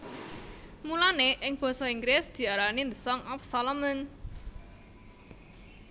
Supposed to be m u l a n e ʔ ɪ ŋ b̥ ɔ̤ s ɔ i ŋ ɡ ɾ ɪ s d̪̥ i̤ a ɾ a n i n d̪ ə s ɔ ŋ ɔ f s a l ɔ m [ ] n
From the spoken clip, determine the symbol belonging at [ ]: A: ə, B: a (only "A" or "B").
A